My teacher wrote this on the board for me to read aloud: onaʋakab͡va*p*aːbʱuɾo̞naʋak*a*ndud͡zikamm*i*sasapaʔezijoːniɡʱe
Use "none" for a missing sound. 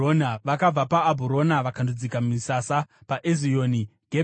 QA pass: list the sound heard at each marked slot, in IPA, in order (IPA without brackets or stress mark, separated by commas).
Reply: p, a, i